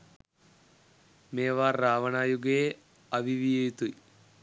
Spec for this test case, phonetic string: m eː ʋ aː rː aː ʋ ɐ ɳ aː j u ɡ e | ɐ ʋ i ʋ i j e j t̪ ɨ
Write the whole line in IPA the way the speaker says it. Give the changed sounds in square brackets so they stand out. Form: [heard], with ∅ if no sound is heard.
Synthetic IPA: m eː ʋ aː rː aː ʋ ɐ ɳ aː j u ɡ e | ɐ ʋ i ʋ i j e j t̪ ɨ

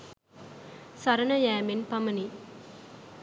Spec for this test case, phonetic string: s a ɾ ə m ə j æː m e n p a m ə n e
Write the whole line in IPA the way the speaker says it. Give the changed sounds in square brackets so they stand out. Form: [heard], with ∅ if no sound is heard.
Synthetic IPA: s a ɾ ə [n] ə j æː m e n p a m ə n [i]

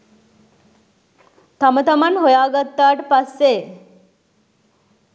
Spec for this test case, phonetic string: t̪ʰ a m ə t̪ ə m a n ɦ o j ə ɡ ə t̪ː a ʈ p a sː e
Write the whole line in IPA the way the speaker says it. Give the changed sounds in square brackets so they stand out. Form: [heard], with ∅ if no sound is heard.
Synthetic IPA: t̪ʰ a m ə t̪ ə m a n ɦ o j [a] ɡ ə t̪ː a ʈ p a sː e

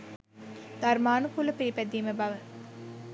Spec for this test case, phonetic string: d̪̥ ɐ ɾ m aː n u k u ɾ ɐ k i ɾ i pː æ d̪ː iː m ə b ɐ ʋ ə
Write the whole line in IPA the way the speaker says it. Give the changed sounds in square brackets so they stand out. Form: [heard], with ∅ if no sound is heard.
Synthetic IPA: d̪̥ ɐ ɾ m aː n u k u [l] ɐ [p] i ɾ i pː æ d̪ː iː m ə b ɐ ʋ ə

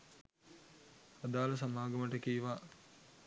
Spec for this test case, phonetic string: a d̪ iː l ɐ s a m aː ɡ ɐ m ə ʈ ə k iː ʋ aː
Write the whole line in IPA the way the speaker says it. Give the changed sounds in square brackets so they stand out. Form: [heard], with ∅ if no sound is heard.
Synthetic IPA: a d̪ [aː] l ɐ s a m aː ɡ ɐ m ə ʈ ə k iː ʋ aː

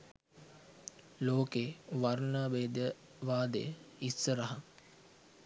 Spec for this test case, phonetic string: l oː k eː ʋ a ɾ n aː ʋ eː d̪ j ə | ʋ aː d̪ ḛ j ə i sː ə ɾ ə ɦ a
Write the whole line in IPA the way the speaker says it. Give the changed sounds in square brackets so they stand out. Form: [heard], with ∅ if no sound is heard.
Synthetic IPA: l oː k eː ʋ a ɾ n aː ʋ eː d̪ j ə | ʋ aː d̪ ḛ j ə i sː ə ɾ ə ɦ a

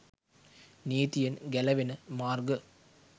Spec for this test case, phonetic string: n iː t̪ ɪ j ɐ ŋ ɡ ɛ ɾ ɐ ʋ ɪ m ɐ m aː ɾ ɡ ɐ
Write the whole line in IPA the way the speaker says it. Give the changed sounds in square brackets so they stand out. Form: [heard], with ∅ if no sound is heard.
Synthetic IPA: n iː t̪ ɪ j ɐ [n] ɡ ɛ [l] ɐ ʋ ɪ [n] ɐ m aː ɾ ɡ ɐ

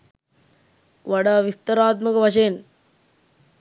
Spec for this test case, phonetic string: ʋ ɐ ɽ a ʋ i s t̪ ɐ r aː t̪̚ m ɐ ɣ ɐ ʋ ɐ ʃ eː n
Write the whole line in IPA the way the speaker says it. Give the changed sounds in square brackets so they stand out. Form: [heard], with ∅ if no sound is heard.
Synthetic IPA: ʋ ɐ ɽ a ʋ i s t̪ ɐ [ɾ] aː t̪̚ m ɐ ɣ ɐ ʋ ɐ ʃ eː n

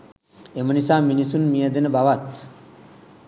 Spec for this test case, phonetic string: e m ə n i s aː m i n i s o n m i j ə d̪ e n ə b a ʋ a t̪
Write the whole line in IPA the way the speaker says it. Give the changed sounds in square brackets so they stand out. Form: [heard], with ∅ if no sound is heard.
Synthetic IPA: e m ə n i s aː m i n i s [u] n m i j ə d̪ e n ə b a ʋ a t̪

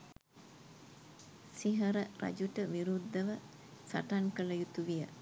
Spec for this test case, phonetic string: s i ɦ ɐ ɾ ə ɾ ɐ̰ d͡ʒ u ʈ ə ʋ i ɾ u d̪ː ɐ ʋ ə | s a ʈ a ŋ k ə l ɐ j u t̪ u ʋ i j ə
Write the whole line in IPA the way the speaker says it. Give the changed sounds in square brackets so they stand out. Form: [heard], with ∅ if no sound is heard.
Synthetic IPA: s i ɦ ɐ ɾ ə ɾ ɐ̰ d͡ʒ u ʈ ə ʋ i ɾ u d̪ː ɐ ʋ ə | s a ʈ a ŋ k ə l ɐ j u t̪ u ʋ i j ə

